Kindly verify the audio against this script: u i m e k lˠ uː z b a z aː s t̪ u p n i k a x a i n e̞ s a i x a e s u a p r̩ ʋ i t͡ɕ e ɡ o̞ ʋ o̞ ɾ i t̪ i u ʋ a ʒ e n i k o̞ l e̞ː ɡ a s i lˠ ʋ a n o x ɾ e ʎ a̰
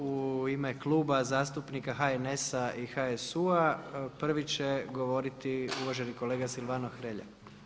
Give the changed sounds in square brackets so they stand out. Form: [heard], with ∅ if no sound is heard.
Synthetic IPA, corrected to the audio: u i m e k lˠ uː [∅] b a z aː s t̪ u p n i k a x a [e] n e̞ s a i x a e s u a p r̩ ʋ i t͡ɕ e ɡ o̞ ʋ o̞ ɾ i t̪ i u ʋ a ʒ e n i k o̞ l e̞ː ɡ a s i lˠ ʋ a n o x ɾ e ʎ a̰

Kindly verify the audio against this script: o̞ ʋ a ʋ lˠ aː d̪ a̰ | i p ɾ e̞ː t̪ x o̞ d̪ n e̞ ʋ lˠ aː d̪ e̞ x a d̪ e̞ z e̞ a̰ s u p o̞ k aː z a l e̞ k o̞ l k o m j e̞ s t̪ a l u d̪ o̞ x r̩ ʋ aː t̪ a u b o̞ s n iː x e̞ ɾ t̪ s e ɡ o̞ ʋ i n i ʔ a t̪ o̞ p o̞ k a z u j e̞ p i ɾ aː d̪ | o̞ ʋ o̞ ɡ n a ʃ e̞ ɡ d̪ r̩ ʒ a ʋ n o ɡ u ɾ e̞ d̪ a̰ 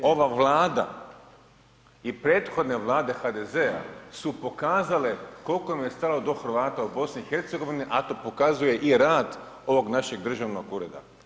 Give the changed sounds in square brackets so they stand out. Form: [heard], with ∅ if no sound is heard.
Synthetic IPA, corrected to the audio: o̞ ʋ a ʋ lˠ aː d̪ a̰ | i p ɾ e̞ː t̪ x o̞ d̪ n e̞ ʋ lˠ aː d̪ e̞ x a d̪ e̞ z e̞ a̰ s u p o̞ k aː z a l e̞ k o̞ l k o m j e̞ s t̪ a l [o] d̪ o̞ x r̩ ʋ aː t̪ a u b o̞ s n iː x e̞ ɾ t̪ s e ɡ o̞ ʋ i n i ʔ a t̪ o̞ p o̞ k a z u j e̞ [ʔ] i ɾ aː d̪ | o̞ ʋ o̞ ɡ n a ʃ e̞ ɡ d̪ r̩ ʒ a ʋ n o ɡ u ɾ e̞ d̪ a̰

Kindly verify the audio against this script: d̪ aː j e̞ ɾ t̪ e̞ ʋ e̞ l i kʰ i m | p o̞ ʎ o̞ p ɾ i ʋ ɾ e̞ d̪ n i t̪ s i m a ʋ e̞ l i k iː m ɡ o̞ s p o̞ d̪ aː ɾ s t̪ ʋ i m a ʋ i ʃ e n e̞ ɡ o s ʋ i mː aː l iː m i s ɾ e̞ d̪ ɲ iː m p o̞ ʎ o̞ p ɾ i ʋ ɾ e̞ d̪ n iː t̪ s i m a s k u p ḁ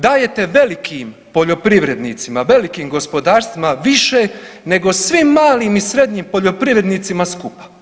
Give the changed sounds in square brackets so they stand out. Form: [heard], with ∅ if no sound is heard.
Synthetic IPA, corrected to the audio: d̪ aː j e̞ [∅] t̪ e̞ ʋ e̞ l i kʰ i m | p o̞ ʎ o̞ p ɾ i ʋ ɾ e̞ d̪ n i t̪ s i m a ʋ e̞ l i k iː m ɡ o̞ s p o̞ d̪ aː ɾ s t̪ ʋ i m a ʋ i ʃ e n e̞ ɡ o s ʋ i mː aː l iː m i s ɾ e̞ d̪ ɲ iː m p o̞ ʎ o̞ p ɾ i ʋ ɾ e̞ d̪ n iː t̪ s i m a s k u p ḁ

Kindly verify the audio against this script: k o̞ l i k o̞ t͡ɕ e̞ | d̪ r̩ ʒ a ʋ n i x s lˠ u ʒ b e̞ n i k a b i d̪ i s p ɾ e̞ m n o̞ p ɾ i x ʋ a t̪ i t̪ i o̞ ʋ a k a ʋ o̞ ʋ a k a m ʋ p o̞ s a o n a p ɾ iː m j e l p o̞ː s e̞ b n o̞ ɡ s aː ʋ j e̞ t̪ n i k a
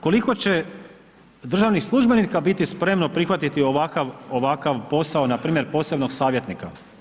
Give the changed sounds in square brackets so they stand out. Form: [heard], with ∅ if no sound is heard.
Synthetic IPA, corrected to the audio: k o̞ l i k o̞ t͡ɕ e̞ | d̪ r̩ ʒ a ʋ n i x s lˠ u ʒ b e̞ n i k a b i [t̪] i s p ɾ e̞ m n o̞ p ɾ i x ʋ a t̪ i t̪ i o̞ ʋ a k a ʋ o̞ ʋ a k a [∅] ʋ p o̞ s a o n a p ɾ iː m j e [ɾ] p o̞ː s e̞ b n o̞ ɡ s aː ʋ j e̞ t̪ n i k a

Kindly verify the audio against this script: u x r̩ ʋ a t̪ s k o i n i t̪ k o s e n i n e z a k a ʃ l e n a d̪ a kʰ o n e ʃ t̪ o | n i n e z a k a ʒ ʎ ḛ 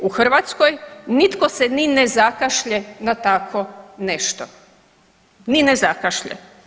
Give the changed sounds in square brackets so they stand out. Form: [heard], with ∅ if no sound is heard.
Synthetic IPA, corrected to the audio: u x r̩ ʋ a t̪ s k o [j] n i t̪ k o s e n i n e z a k a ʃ [ʎ] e n a [t̪] a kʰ o n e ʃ t̪ o | n i n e z a k a [ʃ] ʎ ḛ

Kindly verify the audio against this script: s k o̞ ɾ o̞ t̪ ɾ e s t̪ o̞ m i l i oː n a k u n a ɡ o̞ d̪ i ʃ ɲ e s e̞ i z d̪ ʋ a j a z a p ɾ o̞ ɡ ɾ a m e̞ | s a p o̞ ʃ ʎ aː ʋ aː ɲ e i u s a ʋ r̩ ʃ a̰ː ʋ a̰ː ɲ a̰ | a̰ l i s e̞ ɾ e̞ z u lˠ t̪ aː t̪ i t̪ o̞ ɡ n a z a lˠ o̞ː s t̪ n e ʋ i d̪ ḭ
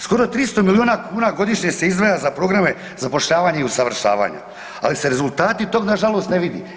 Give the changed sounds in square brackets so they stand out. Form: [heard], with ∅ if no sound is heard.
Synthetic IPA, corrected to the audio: s k o̞ ɾ o̞ t̪ ɾ [i] s t̪ o̞ m i l i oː n a k [uː] n a ɡ o̞ d̪ i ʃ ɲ e s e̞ i z d̪ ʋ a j a z a p ɾ o̞ ɡ ɾ a m e̞ | [z] a p o̞ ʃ ʎ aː ʋ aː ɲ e i u s a ʋ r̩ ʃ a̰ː ʋ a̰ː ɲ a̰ | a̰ l i s e̞ ɾ e̞ z u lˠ t̪ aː t̪ i t̪ o̞ ɡ n a [ʒ] a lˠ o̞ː s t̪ n e ʋ i d̪ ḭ

